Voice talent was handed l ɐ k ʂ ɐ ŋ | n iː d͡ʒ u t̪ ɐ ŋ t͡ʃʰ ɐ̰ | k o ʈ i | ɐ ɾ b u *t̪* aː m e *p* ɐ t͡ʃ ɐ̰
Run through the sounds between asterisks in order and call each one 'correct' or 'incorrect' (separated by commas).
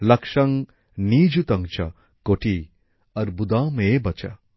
incorrect, incorrect